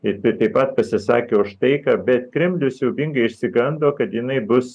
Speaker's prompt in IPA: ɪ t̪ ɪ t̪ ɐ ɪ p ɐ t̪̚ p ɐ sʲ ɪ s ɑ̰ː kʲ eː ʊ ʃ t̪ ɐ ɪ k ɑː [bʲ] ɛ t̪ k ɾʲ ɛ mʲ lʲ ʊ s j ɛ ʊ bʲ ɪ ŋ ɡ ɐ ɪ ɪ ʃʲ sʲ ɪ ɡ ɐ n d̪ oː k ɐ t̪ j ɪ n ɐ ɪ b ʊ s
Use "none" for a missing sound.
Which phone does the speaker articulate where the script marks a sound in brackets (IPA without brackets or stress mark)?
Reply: bʲ